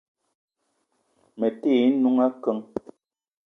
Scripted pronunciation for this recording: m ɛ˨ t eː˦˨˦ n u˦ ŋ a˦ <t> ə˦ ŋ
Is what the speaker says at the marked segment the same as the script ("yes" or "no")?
no